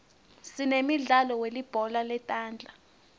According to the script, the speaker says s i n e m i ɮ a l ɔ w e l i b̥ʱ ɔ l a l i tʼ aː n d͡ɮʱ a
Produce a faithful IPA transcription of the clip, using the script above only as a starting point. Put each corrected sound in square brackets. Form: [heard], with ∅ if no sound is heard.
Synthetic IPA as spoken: s i n e m i ɮ a l ɔ w e l i b̥ʱ ɔ l a l [ɛ] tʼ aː n d͡ɮʱ a